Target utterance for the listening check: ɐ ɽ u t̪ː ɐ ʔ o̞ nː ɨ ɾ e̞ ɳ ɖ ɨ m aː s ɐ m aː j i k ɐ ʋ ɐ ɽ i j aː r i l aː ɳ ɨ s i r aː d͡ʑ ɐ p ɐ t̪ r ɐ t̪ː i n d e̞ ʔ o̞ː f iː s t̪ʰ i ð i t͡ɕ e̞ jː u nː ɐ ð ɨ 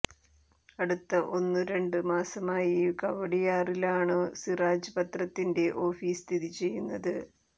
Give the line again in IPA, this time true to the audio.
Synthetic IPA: ɐ ɽ u t̪ː ɐ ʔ o̞ nː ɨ ɾ e̞ ɳ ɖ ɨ m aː s ɐ m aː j i k ɐ ʋ ɐ ɽ i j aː r i l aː ɳ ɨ s i r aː d͡ʑ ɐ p ɐ t̪ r ɐ t̪ː i n d e̞ ʔ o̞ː f iː s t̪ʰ i ð i t͡ɕ e̞ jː u nː ɐ ð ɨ